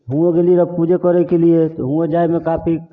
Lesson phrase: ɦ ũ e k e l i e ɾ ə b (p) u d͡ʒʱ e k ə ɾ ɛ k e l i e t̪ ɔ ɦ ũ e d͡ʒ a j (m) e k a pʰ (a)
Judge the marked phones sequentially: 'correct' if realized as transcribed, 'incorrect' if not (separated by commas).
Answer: correct, correct, incorrect